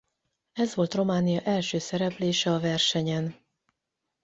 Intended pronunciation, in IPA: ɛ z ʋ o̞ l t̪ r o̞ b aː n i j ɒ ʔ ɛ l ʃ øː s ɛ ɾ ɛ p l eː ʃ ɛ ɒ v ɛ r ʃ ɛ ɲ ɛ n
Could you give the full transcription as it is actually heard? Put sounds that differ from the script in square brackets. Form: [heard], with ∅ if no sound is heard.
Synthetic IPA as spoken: ɛ z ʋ o̞ l t̪ r o̞ [m] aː n i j ɒ ʔ ɛ l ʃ øː s ɛ ɾ ɛ p l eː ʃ ɛ ɒ v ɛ r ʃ ɛ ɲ ɛ n